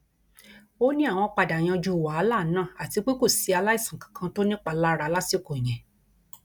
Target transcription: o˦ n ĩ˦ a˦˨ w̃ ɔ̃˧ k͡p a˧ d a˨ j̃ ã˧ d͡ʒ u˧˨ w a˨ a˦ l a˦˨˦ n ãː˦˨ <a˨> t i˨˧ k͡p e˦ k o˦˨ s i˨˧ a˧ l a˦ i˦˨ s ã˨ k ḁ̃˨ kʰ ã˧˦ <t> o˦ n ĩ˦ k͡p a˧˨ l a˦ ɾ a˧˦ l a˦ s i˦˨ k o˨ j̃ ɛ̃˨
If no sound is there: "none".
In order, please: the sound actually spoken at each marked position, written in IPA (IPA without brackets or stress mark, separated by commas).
a˨, t